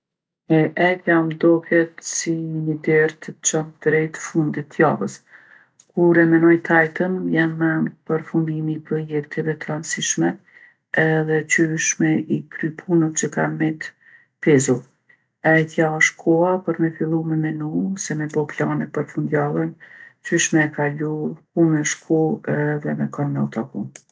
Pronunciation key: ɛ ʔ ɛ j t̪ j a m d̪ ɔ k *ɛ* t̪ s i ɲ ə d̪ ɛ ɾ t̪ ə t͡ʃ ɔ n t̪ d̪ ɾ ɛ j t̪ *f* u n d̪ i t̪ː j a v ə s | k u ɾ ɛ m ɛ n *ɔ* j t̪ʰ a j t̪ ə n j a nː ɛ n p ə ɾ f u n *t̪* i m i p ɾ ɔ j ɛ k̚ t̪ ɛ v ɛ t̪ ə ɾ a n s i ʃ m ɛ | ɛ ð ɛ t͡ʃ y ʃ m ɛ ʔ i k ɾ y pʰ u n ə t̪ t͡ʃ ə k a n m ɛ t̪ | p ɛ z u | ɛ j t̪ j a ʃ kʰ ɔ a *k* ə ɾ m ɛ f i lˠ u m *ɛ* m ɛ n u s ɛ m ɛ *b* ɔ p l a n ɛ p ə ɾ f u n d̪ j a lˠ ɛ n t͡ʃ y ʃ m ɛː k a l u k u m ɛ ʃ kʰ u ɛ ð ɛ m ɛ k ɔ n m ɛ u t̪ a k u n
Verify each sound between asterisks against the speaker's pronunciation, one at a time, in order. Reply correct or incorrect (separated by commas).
correct, correct, correct, incorrect, incorrect, correct, correct